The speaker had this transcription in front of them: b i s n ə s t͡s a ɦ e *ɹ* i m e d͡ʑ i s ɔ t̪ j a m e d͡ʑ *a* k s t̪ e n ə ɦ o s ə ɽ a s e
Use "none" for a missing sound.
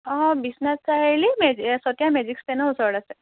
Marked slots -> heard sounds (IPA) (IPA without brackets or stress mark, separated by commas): l, i